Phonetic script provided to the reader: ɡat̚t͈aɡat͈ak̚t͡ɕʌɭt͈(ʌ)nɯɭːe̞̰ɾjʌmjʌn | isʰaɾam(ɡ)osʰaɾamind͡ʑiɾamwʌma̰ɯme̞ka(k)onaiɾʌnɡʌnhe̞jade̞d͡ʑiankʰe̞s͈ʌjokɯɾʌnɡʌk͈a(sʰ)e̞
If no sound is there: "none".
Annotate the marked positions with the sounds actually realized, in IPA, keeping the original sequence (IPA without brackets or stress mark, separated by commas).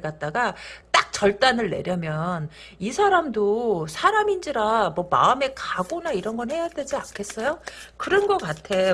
a, d, ɡ, tʰ